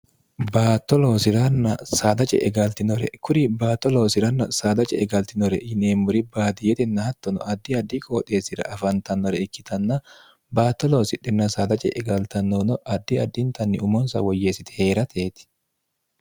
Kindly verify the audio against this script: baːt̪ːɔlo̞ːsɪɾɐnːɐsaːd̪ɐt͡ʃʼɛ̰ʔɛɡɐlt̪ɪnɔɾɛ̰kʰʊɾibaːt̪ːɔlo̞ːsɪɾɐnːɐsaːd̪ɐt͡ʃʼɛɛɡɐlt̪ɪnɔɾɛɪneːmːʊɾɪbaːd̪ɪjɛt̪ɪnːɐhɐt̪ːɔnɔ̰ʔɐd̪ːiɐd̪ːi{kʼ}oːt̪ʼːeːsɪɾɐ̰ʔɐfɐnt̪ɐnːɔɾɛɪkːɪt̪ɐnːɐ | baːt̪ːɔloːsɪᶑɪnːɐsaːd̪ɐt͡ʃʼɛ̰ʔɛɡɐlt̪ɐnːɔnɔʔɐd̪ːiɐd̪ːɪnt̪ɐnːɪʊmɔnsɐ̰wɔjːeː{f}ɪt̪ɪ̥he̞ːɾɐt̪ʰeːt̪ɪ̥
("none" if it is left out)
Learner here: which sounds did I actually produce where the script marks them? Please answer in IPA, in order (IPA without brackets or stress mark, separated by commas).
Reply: kʼ, s